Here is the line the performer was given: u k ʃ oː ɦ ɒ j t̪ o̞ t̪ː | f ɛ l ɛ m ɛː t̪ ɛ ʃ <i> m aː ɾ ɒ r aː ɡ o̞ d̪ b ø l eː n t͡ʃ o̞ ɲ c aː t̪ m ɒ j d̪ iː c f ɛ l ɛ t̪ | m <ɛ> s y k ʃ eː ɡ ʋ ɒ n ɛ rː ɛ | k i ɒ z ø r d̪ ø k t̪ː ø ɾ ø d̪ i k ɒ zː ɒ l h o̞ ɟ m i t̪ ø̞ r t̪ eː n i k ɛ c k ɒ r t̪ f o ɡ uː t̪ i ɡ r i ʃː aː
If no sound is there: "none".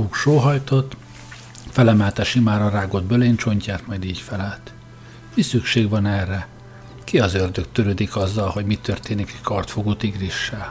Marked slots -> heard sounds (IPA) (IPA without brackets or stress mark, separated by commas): i, i